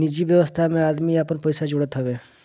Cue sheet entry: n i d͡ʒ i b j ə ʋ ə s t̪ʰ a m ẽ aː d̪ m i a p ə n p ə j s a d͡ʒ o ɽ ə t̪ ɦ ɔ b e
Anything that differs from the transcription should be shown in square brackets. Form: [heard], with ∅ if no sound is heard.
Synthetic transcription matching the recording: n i d͡ʒ i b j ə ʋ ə s t̪ʰ a m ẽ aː d̪ m i a p ə n p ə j s a d͡ʒ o ɽ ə t̪ ɦ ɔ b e

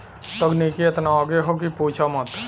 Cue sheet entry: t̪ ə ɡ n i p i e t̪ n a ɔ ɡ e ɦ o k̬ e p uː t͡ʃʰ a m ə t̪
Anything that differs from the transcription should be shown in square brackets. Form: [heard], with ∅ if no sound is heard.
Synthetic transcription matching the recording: t̪ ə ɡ n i [k] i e t̪ n a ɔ ɡ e ɦ o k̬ [i] p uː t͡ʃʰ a m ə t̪

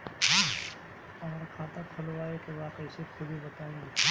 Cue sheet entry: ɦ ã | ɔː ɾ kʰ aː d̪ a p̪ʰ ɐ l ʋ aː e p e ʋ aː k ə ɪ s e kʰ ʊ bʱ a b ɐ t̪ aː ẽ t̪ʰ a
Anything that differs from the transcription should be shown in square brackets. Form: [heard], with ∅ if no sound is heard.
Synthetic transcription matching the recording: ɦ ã | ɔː ɾ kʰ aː [t̪] a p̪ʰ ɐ l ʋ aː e [k] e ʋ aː k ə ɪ s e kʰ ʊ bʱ [i] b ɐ t̪ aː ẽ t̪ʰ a

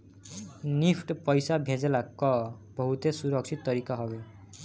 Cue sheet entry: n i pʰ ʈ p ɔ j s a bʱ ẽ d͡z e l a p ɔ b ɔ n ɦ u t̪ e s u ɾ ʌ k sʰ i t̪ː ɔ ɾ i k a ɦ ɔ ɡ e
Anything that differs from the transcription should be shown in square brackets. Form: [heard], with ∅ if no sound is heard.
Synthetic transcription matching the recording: n i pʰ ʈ p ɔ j s a bʱ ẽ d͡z e l a [k] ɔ b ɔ [∅] ɦ u t̪ e s u ɾ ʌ k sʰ i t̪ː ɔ ɾ i k a ɦ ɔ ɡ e

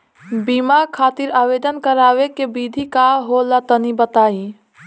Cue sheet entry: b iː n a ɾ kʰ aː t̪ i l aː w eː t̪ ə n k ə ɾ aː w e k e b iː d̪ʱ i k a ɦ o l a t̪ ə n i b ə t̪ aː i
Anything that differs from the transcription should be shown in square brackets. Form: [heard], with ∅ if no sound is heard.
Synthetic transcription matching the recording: b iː [m] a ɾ kʰ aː t̪ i [ɾ] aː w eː [d̪] ə n k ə ɾ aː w e k e b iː d̪ʱ i k a ɦ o l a t̪ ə n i b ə t̪ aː i

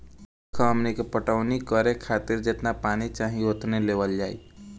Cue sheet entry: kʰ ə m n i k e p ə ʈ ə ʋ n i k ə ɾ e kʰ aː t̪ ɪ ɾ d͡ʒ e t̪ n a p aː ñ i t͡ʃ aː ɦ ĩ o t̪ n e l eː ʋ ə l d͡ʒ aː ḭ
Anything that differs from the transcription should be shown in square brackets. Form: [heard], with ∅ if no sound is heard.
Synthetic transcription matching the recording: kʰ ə m n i k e p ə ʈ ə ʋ n i k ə ɾ e kʰ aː t̪ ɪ ɾ d͡ʒ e t̪ n a p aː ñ i t͡ʃ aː ɦ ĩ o t̪ n e l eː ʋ ə l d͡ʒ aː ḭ

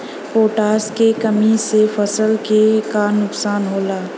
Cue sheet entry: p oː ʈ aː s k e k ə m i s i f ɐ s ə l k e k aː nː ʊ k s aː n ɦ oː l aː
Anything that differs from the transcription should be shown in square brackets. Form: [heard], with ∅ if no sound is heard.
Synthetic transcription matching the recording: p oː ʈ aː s k e k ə m i s [e] f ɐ s ə l k e k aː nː ʊ k s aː n ɦ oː l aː

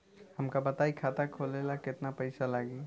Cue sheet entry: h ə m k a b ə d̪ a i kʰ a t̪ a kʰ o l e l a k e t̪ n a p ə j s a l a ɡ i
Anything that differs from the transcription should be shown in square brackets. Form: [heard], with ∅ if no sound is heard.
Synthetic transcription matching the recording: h ə m k a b ə [t̪] a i kʰ a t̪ a kʰ o l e l a k e t̪ n a p ə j s a l a ɡ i

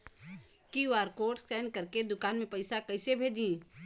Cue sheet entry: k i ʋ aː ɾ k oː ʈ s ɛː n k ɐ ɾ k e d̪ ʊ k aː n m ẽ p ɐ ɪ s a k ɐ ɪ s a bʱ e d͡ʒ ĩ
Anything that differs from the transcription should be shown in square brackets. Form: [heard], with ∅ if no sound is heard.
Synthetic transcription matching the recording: k i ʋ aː ɾ k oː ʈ s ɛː n k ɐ ɾ k e d̪ ʊ k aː n m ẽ p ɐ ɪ s a k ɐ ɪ s [e] bʱ e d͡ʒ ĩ

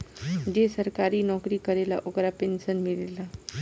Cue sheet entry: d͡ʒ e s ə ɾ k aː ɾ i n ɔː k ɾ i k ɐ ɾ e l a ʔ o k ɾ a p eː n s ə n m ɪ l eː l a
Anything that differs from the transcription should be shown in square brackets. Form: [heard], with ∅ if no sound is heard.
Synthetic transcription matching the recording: d͡ʒ e s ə ɾ k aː ɾ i n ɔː k ɾ i k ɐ ɾ e l a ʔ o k ɾ a p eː n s ə n m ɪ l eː l a

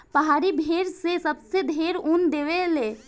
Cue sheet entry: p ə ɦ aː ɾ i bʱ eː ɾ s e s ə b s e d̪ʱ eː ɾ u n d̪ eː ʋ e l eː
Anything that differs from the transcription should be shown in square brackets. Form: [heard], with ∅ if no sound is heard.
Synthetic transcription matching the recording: p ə ɦ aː ɾ i bʱ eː ɾ s e s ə b s e d̪ʱ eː ɾ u n d̪ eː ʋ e l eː

